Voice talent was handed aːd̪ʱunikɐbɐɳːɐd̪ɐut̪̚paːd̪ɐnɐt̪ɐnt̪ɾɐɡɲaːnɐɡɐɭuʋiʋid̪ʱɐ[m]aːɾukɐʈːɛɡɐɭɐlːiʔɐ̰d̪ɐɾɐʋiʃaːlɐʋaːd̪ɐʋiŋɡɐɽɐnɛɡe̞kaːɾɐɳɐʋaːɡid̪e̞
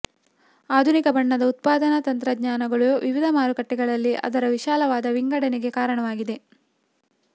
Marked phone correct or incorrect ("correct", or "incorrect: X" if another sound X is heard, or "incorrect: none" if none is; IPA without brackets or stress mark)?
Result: correct